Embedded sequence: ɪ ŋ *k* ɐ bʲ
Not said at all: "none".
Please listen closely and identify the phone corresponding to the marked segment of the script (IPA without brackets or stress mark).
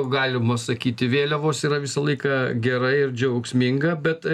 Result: ɡ